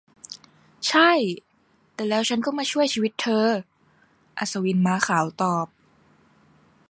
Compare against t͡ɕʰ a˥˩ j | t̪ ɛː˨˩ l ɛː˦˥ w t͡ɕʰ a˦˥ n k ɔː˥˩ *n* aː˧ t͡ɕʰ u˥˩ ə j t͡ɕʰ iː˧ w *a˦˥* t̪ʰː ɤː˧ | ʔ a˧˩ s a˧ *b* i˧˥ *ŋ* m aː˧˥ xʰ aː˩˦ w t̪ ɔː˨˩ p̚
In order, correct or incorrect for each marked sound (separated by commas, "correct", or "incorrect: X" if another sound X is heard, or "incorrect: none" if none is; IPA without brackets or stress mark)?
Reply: incorrect: m, incorrect: i˦˥, incorrect: w, incorrect: n